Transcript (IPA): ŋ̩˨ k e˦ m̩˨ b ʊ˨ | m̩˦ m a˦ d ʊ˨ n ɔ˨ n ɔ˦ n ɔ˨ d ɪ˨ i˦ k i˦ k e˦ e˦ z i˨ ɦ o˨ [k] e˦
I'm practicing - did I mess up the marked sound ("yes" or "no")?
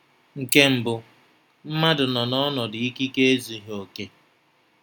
no